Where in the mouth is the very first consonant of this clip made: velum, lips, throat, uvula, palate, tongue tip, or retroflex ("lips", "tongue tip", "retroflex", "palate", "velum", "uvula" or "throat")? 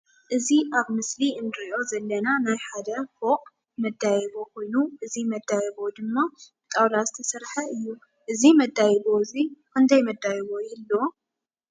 throat